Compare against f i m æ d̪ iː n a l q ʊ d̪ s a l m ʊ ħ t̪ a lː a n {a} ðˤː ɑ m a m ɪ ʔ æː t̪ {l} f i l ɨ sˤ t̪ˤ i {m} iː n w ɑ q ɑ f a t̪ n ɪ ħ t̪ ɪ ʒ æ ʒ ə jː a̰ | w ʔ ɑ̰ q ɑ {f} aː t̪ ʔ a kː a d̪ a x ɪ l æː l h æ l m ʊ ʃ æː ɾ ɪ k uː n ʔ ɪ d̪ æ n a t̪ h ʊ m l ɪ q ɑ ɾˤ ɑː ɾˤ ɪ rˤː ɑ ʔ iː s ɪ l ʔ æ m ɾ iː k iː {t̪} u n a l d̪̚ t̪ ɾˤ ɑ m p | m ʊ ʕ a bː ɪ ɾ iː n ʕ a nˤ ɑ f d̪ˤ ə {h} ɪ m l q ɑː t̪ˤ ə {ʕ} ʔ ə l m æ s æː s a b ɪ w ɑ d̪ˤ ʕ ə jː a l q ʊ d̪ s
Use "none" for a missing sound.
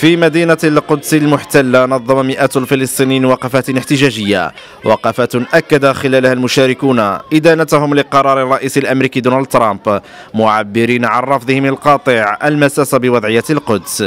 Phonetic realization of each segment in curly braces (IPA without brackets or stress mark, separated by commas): ɑ, l, n, f, d̪, h, ʕ